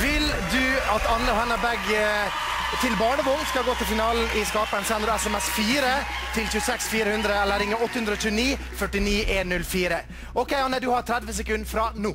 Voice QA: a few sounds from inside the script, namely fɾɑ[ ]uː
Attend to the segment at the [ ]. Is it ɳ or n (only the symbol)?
n